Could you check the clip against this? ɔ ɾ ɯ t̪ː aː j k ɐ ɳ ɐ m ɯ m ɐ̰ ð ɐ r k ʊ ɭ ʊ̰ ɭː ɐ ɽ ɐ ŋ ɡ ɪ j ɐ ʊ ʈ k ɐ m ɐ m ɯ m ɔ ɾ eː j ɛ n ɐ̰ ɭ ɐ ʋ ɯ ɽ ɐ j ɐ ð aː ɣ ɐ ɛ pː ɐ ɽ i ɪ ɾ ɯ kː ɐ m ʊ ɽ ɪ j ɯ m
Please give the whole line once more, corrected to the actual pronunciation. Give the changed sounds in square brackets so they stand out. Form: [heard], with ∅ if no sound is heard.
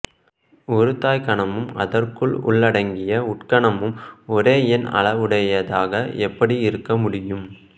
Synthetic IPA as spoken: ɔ ɾ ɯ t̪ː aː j k ɐ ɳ ɐ m ɯ m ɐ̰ ð ɐ r k [ɯ] ɭ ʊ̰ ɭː ɐ ɽ ɐ ŋ ɡ ɪ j ɐ ʊ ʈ k ɐ [ɳ] ɐ m ɯ m ɔ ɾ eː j ɛ n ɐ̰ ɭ ɐ ʋ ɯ ɽ ɐ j ɐ ð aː ɣ ɐ ɛ pː ɐ ɽ i ɪ ɾ ɯ kː ɐ m ʊ ɽ ɪ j ɯ m